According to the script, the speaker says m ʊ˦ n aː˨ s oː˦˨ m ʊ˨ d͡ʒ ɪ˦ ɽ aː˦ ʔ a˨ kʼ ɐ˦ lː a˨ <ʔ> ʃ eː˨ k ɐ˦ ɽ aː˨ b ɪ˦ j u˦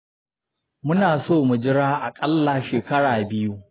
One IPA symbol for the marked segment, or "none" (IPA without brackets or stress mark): none